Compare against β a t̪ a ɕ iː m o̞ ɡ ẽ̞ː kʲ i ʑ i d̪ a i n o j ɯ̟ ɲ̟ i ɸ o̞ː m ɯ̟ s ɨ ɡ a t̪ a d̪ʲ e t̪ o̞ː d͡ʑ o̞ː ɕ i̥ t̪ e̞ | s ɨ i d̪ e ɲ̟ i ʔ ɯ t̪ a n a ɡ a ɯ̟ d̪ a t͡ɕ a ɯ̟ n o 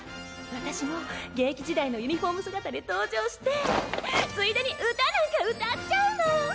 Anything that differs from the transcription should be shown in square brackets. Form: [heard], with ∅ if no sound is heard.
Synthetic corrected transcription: β a t̪ a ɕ [i] m o̞ ɡ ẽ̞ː kʲ i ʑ i d̪ a i n o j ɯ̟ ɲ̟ i ɸ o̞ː m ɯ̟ s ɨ ɡ a t̪ a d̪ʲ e t̪ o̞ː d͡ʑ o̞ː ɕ i̥ t̪ e̞ | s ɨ i d̪ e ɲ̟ i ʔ ɯ t̪ a n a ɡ a ɯ̟ [t̪] a t͡ɕ a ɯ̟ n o